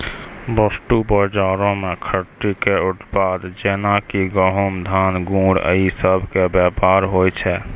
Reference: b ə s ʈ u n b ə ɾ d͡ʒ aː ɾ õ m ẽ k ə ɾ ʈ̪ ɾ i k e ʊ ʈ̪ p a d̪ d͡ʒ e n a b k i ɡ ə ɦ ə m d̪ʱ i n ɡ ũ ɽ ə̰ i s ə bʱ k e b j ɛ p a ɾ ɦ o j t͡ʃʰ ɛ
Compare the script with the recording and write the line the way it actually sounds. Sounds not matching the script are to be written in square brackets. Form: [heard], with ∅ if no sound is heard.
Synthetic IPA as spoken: b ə s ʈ u [∅] b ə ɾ d͡ʒ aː ɾ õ m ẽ [kʰ] ə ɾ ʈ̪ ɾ i k e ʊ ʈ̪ p a d̪ d͡ʒ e n a [∅] k i ɡ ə ɦ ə m d̪ʱ [a] n ɡ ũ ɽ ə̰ i s ə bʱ k e b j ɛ p a ɾ ɦ o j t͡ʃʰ ɛ